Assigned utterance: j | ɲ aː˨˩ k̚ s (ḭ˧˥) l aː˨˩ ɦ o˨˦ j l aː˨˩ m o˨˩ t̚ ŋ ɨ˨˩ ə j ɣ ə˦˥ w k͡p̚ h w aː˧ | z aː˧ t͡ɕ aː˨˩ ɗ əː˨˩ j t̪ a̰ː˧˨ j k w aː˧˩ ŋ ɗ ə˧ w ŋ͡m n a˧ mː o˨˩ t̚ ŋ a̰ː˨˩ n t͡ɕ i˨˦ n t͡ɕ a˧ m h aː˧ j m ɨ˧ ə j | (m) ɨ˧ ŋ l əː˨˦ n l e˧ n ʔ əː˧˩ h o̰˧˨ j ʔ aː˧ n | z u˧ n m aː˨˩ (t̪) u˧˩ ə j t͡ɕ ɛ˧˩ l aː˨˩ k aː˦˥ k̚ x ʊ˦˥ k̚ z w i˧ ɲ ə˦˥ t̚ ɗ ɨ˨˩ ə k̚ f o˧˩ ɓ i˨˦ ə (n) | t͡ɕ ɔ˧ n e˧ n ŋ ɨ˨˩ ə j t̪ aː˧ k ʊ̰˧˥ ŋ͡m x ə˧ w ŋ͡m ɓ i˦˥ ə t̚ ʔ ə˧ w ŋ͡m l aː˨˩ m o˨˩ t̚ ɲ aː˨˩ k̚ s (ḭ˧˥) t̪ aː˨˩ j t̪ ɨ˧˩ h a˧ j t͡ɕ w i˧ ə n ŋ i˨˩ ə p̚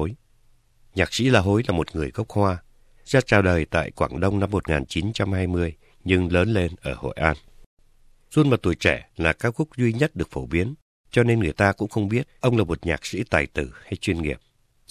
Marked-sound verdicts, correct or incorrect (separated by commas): correct, incorrect, correct, correct, correct